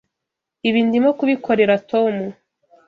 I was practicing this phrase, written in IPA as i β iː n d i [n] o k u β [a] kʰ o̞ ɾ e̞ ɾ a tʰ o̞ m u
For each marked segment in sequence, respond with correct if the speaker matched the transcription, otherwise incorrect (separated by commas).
incorrect, incorrect